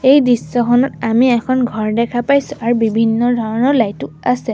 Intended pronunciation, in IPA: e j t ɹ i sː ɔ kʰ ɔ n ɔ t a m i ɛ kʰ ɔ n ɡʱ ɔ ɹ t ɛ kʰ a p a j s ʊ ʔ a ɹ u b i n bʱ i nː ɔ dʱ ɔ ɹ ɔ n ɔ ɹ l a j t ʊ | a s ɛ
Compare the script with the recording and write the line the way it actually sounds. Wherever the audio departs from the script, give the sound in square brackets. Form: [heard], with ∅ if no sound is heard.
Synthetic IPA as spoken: e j [d] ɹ i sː ɔ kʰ ɔ n ɔ t a m i ɛ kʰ ɔ n ɡʱ ɔ ɹ [d] ɛ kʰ a p a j s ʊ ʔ a ɹ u b i [∅] bʱ i nː ɔ dʱ ɔ ɹ ɔ n ɔ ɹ l a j t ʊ | a s ɛ

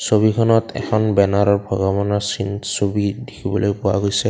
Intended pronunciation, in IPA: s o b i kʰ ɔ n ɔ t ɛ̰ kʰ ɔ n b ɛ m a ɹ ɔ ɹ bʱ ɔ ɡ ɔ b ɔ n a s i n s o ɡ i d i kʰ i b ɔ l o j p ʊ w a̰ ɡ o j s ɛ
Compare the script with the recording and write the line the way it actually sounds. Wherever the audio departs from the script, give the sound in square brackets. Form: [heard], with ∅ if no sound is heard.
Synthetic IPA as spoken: s o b i kʰ ɔ n ɔ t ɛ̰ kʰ ɔ n b ɛ [n] a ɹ ɔ ɹ bʱ ɔ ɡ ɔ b ɔ n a s i n s o [b] i d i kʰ i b ɔ l o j p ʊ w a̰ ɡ o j s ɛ

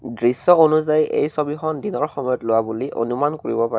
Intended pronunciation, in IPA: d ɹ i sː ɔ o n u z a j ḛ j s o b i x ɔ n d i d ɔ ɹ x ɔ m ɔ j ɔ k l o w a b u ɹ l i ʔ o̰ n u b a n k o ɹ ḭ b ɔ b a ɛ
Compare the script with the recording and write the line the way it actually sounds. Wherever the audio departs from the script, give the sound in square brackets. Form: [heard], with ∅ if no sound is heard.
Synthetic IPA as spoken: d ɹ i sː ɔ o n u z a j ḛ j s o b i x ɔ n d i [n] ɔ ɹ x ɔ m ɔ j ɔ [t] l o w a b u [∅] l i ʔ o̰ n u [m] a n k o ɹ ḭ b ɔ [p] a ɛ

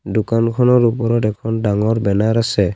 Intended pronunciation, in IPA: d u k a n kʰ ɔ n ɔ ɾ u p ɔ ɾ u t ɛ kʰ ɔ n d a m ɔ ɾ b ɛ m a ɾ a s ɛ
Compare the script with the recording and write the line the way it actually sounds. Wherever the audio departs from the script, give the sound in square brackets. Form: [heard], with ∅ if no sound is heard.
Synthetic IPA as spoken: d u k a n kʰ ɔ n ɔ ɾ u p ɔ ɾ [ɔ] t ɛ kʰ ɔ n d a [ŋ] ɔ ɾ b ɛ [n] a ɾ a s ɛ

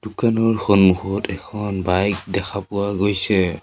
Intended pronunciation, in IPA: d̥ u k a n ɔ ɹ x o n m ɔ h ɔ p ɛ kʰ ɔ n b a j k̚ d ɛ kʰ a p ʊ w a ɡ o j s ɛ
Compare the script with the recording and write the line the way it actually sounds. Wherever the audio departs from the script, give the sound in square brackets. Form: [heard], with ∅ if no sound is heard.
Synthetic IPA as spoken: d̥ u k a n ɔ ɹ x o n m [u] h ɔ [t] ɛ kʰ ɔ n b a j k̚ d ɛ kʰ a p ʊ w a ɡ o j s ɛ

